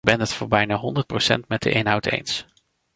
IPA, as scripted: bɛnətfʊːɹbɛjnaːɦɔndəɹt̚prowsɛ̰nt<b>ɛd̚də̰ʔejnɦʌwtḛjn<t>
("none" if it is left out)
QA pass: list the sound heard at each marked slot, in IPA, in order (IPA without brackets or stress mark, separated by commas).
m, s